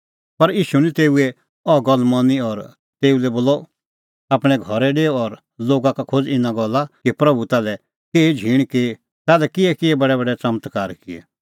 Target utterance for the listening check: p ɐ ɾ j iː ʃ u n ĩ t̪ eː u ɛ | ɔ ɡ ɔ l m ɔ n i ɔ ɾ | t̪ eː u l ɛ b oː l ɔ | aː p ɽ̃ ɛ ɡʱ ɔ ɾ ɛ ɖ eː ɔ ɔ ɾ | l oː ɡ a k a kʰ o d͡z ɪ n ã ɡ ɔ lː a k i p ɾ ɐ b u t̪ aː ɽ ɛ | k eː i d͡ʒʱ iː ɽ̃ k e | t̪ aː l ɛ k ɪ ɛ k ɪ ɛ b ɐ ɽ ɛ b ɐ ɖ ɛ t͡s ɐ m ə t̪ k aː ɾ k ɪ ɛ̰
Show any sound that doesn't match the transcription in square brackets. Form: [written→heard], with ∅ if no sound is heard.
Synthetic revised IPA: p ɐ ɾ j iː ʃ u n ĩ t̪ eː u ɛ | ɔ ɡ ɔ l m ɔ n i ɔ ɾ | t̪ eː u l ɛ b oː l ɔ | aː p ɽ̃ ɛ ɡʱ ɔ ɾ ɛ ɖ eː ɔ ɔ ɾ | l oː ɡ a k a kʰ o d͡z ɪ n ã ɡ ɔ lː a k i p ɾ ɐ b u t̪ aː [ɽ→l] ɛ | k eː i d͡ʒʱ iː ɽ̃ k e | t̪ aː l ɛ k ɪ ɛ k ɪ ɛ b ɐ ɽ ɛ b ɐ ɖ ɛ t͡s ɐ m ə t̪ k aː ɾ k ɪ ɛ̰